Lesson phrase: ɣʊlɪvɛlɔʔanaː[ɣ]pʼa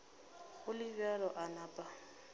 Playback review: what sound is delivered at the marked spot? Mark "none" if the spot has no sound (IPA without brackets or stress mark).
none